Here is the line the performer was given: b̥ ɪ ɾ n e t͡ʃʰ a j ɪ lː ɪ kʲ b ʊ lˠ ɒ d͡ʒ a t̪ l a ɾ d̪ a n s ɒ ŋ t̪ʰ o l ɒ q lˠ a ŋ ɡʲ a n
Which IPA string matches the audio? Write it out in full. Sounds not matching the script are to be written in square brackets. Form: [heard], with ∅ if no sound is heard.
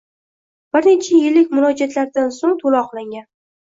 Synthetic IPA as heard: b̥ ɪ ɾ n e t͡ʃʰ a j ɪ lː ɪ kʲ [m] ʊ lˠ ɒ d͡ʒ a t̪ l a ɾ d̪ a n s [o] ŋ t̪ʰ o l ɒ q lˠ a ŋ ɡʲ a n